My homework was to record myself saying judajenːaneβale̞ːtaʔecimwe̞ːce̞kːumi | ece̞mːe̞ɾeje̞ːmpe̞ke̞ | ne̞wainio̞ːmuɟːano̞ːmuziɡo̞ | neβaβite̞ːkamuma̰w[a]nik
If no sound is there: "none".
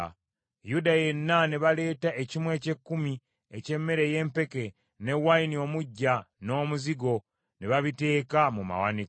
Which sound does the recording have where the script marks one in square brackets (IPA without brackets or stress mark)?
a